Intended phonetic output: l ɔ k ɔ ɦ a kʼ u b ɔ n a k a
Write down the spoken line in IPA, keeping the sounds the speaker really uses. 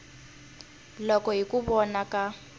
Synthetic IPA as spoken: l ɔ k ɔ ɦ i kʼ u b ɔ n a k a

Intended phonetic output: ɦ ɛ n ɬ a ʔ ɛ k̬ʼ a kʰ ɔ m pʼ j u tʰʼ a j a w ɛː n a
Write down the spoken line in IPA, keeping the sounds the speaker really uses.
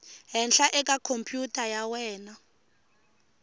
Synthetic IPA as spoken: ɦ ɛ n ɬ a ʔ ɛ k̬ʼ a kʰ o m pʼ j u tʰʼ a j a w ɛː n a

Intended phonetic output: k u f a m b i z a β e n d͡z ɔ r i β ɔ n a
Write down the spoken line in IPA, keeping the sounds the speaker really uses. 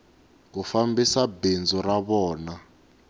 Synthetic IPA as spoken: k u f a m b i s a b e n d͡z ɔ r a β ɔː n a

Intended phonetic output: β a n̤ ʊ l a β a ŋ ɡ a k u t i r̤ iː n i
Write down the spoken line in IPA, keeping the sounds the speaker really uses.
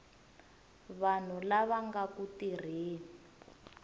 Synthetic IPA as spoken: β a n̤ u l a β a ŋ ɡ a k u t i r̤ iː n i

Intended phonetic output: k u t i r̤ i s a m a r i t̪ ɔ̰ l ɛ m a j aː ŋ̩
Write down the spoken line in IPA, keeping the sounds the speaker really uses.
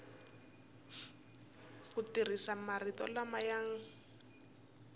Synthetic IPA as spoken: k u t i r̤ i s a m a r i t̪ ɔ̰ l a m a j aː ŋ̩

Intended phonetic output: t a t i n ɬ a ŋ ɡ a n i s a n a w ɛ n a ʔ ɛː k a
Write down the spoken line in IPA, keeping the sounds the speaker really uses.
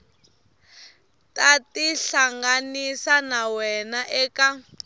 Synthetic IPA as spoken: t a t i ɬ a ŋ ɡ a n i s a n a w ɛ n a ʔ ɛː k a

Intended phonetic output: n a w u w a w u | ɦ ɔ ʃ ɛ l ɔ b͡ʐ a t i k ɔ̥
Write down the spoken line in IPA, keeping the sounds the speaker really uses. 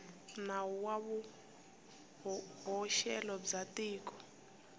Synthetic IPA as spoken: n a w u w a β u | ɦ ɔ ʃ ɛ l ɔ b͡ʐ a t iː k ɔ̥

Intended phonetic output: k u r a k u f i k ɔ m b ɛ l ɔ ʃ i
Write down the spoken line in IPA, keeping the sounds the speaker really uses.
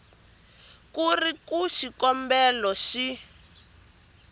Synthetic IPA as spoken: k u r i k u ʃ i k ɔ m b ɛ l ɔ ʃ i

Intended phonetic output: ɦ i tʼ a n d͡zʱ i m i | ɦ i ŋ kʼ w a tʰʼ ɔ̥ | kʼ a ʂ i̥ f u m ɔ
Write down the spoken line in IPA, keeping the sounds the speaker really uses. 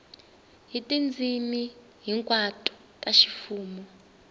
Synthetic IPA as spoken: ɦ i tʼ i n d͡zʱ i m i | ɦ i ŋ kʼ w a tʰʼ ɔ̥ | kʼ a ʃ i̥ f uː m ɔ

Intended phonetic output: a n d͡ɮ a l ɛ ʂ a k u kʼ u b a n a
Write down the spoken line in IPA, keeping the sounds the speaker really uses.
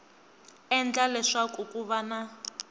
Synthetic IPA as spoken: ɛ n d͡ɮ a l ɛ ʂ a k u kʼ u β a n a

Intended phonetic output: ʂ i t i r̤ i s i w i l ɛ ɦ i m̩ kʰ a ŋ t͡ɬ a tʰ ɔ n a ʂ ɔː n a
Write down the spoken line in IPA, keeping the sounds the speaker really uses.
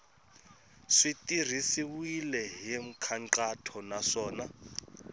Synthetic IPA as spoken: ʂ i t i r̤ i s i w i l ɛ ɦ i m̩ kʰ a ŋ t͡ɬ a tʰ ɔ n a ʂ ɔː n a

